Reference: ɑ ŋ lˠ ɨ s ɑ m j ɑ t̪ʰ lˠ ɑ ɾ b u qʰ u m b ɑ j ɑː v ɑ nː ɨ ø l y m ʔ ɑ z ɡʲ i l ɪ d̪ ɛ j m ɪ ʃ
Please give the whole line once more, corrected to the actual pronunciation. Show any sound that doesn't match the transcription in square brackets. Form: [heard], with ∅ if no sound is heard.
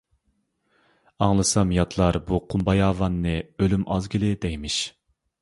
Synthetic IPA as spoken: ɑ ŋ lˠ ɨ s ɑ m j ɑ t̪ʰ lˠ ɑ ɾ b u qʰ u m b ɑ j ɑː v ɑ nː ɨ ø l y m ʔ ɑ z ɡʲ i l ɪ d̪ ɛ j m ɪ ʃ